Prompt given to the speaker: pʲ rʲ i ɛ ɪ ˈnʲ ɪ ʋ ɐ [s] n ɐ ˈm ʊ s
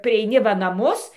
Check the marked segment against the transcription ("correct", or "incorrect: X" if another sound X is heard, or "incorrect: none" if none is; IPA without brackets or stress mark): incorrect: none